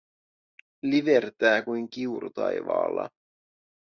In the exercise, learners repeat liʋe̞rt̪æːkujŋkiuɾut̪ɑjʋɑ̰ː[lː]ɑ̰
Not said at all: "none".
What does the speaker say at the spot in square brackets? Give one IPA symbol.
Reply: lː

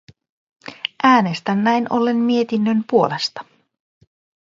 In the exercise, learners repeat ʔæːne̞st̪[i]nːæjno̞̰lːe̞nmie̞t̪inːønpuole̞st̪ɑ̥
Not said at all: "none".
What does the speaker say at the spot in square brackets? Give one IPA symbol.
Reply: æ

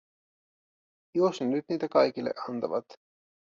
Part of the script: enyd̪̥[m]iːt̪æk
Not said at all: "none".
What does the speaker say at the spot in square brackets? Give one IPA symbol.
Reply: n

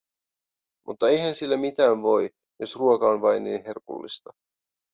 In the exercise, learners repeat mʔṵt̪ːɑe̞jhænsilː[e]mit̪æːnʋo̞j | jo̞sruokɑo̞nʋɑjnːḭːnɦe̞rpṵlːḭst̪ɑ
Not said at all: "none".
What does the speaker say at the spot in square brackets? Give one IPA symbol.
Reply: æ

